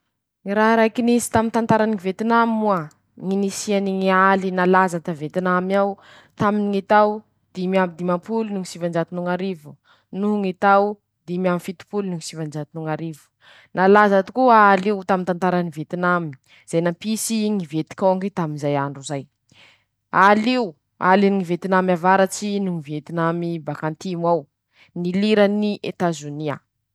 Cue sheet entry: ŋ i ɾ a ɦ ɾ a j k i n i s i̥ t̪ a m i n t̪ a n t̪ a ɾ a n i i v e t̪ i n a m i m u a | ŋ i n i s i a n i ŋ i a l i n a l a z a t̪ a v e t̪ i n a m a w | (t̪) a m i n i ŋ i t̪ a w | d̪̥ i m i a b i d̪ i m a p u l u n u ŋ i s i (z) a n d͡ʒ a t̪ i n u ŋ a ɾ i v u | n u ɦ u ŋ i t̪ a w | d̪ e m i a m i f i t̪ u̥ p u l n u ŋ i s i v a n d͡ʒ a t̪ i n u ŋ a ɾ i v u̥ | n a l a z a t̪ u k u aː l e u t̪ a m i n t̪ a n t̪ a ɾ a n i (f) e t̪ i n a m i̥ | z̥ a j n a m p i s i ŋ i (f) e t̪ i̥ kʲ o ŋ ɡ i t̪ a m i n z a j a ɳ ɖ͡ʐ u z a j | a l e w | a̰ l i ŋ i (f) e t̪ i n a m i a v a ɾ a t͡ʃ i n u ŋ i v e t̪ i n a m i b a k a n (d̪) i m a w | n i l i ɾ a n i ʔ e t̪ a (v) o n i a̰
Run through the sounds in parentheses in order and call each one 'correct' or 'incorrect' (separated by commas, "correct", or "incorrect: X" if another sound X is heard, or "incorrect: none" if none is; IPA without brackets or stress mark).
correct, incorrect: v, incorrect: v, incorrect: v, incorrect: v, incorrect: t̪, incorrect: z